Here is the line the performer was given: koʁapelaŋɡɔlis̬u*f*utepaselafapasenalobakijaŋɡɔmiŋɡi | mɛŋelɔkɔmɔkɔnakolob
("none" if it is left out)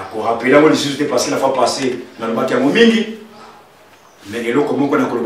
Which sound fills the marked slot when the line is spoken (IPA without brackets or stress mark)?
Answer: s